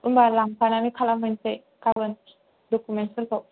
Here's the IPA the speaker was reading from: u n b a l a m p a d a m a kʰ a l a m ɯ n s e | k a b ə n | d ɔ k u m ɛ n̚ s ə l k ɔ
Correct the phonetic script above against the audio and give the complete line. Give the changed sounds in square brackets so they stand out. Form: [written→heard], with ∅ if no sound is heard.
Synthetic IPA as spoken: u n b a l a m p a [d→n] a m [a→i] kʰ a l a m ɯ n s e | k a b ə n | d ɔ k u m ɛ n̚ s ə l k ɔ